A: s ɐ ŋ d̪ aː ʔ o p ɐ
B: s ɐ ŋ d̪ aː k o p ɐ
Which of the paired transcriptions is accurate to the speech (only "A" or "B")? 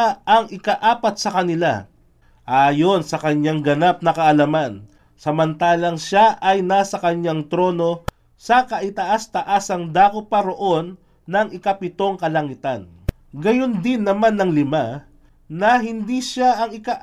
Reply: B